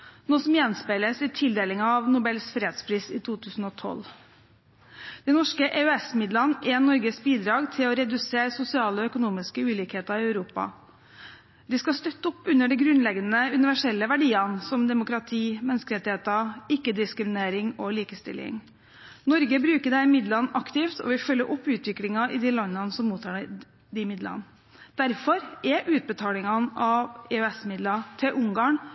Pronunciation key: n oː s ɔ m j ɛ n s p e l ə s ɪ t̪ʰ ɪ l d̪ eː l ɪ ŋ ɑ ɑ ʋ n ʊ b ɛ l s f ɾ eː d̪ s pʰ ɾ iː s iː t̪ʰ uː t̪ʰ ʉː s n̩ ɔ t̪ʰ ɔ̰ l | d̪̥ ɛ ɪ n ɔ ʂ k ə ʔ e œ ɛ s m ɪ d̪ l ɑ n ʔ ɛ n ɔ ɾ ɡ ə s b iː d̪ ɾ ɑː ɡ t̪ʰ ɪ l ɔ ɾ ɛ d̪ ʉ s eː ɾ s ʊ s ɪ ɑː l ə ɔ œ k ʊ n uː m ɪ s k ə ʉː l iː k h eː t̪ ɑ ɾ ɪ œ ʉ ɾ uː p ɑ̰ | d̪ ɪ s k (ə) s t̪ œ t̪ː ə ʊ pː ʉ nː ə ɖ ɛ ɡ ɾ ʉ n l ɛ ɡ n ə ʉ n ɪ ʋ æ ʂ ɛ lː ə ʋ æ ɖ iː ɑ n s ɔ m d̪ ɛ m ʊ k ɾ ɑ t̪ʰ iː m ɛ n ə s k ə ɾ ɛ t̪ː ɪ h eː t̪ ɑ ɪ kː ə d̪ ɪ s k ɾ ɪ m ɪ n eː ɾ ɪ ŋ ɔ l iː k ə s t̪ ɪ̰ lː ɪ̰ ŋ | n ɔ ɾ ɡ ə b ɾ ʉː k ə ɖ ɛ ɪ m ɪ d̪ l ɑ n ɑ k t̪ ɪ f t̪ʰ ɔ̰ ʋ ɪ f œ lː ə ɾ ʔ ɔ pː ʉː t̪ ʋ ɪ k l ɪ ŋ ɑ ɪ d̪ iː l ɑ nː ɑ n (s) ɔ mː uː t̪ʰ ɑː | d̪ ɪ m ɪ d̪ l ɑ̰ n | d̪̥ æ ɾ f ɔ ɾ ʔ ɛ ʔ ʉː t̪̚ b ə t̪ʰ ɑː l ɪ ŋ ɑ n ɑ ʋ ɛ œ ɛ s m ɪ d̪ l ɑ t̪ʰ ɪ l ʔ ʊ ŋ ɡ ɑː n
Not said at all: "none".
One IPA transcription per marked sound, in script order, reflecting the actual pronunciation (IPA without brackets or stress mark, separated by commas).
ɑ, s